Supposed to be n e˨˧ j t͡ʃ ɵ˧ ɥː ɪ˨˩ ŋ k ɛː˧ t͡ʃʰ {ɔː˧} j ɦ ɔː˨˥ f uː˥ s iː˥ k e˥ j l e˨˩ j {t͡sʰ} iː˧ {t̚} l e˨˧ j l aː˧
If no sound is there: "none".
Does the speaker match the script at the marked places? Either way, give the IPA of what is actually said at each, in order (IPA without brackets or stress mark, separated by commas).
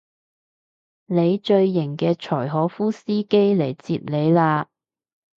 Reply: ɔː˨˩, t͡s, t̚